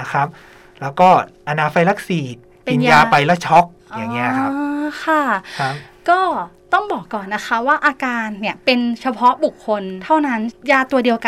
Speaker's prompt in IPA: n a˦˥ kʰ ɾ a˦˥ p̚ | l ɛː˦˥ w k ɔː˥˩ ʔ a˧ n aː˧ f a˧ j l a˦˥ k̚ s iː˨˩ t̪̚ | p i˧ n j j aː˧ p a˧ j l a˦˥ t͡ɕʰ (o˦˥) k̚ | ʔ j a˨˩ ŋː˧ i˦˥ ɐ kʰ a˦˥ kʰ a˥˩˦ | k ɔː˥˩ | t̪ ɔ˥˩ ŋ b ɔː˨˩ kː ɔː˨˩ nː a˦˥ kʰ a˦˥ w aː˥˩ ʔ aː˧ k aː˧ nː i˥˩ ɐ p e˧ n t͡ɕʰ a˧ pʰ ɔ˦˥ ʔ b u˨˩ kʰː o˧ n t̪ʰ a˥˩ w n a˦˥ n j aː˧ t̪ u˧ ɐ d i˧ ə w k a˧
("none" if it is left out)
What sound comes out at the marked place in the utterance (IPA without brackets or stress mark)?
ɔ˦˥